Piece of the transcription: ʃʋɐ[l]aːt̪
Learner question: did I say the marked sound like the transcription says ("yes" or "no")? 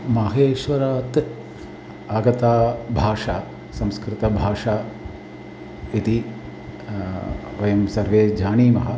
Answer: no